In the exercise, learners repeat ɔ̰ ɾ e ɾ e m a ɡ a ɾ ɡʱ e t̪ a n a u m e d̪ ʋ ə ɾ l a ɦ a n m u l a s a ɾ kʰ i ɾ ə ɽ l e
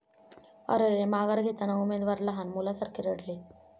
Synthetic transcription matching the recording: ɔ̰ ɾ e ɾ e m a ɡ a ɾ ɡʱ e t̪ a n a u m e d̪ ʋ a ɾ l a ɦ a n m u l a s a ɾ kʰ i ɾ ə ɽ l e